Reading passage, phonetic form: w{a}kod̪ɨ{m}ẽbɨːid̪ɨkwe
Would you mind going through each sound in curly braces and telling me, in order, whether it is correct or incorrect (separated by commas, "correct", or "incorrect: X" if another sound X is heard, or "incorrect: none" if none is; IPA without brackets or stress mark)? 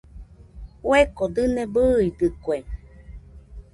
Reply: incorrect: e, incorrect: n